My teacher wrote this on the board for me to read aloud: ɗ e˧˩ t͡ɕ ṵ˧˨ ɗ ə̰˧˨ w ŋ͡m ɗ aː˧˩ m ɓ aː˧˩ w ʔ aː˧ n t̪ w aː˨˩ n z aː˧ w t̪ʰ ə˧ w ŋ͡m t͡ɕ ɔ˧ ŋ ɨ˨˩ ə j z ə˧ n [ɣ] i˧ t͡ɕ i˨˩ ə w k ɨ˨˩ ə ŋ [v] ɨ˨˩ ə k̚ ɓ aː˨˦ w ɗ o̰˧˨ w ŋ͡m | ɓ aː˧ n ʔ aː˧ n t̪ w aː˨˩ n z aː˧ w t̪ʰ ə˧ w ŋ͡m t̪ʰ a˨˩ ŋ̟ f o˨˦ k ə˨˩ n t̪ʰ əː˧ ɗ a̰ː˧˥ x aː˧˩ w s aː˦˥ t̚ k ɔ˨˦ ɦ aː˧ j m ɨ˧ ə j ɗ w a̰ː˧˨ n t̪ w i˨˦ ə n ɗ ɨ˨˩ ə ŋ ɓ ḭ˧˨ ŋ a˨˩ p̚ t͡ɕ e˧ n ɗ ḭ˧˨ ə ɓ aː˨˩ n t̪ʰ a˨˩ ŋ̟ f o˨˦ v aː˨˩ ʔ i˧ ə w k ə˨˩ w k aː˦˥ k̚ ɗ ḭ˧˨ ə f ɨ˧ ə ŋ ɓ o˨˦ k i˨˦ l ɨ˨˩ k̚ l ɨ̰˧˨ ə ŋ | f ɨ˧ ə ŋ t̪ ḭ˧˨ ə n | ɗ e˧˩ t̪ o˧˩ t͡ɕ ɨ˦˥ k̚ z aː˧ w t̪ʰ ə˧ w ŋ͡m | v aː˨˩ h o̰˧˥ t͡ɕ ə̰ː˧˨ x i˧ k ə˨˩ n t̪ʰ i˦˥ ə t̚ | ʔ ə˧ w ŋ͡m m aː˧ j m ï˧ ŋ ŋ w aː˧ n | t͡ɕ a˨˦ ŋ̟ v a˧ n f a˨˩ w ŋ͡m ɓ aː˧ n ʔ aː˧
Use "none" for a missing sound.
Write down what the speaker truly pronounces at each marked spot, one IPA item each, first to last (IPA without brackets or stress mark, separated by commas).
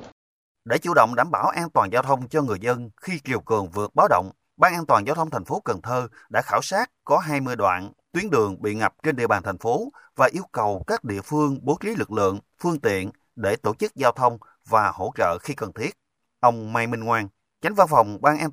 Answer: x, v